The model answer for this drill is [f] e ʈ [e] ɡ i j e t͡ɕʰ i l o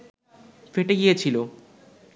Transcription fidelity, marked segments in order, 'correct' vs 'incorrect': correct, correct

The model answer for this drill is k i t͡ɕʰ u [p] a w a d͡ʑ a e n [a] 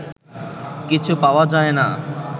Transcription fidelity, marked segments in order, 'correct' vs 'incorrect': correct, correct

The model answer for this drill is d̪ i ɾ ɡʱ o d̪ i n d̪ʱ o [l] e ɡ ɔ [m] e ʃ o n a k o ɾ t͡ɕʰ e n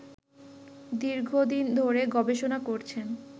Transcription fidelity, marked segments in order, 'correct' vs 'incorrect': incorrect: ɾ, incorrect: b

